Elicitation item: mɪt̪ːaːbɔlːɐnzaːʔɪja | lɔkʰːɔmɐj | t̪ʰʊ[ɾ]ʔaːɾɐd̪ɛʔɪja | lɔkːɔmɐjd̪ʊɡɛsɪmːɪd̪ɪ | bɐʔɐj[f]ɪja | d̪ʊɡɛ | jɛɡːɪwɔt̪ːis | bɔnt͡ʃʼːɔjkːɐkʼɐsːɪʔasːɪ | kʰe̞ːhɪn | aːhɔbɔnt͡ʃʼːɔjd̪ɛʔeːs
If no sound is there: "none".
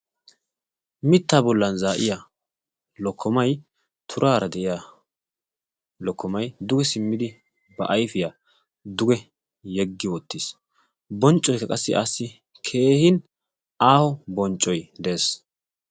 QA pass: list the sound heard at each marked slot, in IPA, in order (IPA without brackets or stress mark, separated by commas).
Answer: ɾ, f